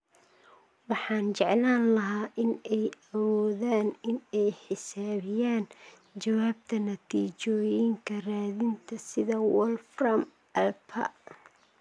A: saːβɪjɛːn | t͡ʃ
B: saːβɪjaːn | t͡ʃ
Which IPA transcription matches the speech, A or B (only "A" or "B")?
B